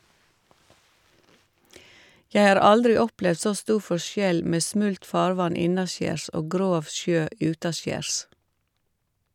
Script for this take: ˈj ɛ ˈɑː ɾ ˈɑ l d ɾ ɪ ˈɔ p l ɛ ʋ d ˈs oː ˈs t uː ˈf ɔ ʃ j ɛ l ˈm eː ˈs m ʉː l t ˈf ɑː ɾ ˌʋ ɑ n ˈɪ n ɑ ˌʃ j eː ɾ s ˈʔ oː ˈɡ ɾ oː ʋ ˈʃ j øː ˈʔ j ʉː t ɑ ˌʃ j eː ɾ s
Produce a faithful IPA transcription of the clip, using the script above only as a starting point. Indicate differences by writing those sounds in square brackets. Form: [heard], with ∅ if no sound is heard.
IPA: ˈj ɛ ˈɑː ɾ ˈɑ l d ɾ ɪ ˈɔ p l ɛ ʋ d ˈs oː ˈs t uː ˈf ɔ ʃ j ɛ l ˈm eː ˈs m [ʉ] l t ˈf ɑː ɾ ˌʋ ɑ n ˈɪ n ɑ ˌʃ j eː ɾ s ˈʔ oː ˈɡ ɾ oː ʋ ˈʃ j øː ˈʔ j ʉː t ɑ ˌʃ j eː ɾ s